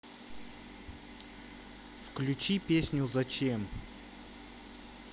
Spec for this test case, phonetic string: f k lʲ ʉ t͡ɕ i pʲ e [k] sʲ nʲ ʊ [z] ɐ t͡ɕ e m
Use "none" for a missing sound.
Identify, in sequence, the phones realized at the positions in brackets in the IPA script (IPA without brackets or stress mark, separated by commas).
none, z